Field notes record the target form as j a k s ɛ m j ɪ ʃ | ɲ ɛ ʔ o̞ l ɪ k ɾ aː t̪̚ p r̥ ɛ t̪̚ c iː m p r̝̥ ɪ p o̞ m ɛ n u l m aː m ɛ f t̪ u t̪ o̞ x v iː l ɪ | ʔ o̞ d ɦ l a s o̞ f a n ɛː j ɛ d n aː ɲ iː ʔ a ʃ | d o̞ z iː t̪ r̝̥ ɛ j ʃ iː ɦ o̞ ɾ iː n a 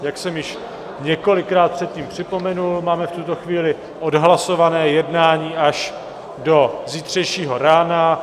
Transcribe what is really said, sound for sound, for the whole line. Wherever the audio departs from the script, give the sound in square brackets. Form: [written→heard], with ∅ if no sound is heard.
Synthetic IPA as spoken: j a k s ɛ m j ɪ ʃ | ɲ ɛ [ʔ→k] o̞ l ɪ k ɾ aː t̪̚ p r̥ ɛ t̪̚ c iː m p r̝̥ ɪ p o̞ m ɛ n u l m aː m ɛ f t̪ u t̪ o̞ x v iː l ɪ | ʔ o̞ d ɦ l a s o̞ [f→v] a n ɛː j ɛ d n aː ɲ iː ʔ a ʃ | d o̞ z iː t̪ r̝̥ ɛ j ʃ iː ɦ o̞ ɾ [iː→aː] n a

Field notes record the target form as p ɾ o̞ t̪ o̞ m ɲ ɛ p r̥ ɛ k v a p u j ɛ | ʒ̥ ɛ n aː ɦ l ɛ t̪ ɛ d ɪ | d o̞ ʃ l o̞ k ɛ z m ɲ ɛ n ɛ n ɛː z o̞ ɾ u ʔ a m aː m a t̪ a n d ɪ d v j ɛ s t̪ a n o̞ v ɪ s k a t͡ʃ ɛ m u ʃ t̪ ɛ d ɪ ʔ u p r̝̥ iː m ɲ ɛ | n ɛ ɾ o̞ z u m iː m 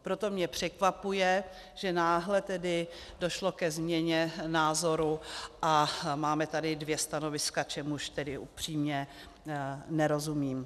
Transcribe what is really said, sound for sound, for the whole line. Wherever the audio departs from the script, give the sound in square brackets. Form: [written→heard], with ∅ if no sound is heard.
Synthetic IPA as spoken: p ɾ o̞ t̪ o̞ m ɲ ɛ p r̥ ɛ k v a p u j ɛ | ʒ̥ ɛ n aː ɦ l ɛ t̪ ɛ d ɪ | d o̞ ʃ l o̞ k ɛ z m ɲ ɛ [n→ɲ] ɛ n [ɛː→aː] z o̞ ɾ u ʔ a m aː m [a→ɛ] t̪ a [n→∅] d ɪ d v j ɛ s t̪ a n o̞ v ɪ s k a t͡ʃ ɛ m u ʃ t̪ ɛ d ɪ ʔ u p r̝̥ iː m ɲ ɛ | n ɛ ɾ o̞ z u m iː m

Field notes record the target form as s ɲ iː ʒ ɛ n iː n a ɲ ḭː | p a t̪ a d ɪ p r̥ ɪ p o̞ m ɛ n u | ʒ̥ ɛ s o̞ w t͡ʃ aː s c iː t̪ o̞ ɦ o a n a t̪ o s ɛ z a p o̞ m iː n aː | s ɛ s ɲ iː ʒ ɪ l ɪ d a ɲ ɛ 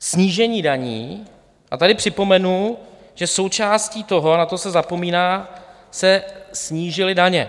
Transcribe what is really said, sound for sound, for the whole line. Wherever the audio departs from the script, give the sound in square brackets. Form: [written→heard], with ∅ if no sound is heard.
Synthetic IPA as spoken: s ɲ iː ʒ ɛ [n→ɲ] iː [n→d] a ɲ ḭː | [p→ʔ] a t̪ a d ɪ p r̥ ɪ p o̞ m ɛ n u | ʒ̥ ɛ s o̞ w t͡ʃ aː s c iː t̪ o̞ ɦ o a n a t̪ o s ɛ z a p o̞ m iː n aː | s ɛ s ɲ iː ʒ ɪ l ɪ d a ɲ ɛ

